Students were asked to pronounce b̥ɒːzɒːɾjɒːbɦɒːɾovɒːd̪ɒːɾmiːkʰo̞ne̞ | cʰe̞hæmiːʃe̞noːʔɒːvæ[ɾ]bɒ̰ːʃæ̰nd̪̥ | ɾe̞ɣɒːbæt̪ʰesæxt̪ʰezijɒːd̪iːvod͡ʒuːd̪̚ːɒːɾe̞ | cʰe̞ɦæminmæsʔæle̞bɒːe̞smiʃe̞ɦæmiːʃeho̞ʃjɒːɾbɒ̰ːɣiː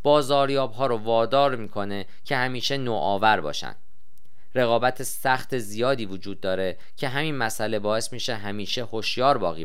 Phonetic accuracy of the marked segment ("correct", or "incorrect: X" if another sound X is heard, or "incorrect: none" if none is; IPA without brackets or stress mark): correct